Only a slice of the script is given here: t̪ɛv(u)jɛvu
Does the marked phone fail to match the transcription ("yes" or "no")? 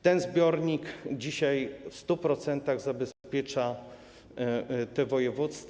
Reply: yes